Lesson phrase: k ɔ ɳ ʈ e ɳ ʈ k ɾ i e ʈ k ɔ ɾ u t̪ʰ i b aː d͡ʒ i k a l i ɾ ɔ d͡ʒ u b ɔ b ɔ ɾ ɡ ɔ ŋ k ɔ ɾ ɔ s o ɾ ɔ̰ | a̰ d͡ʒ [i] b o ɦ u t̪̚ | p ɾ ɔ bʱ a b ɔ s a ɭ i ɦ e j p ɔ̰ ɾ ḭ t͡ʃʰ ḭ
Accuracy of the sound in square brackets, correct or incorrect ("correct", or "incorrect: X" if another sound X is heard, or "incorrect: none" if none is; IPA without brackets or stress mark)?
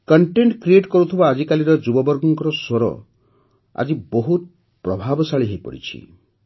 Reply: correct